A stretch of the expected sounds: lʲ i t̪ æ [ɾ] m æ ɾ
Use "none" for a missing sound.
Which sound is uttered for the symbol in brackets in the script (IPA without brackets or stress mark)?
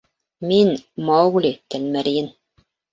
l